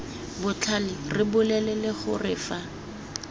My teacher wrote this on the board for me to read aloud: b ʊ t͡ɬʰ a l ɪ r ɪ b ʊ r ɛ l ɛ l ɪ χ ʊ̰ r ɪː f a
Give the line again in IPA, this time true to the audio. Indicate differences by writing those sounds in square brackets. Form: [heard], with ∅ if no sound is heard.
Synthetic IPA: b ʊ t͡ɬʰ a l ɪ r ɪ b ʊ [l] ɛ l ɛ l ɪ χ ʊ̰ r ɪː f a